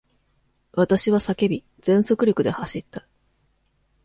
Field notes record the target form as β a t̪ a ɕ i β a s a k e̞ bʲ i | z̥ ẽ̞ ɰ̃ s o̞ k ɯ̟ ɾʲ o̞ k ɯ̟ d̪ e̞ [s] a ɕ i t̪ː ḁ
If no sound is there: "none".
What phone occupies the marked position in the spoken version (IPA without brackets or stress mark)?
h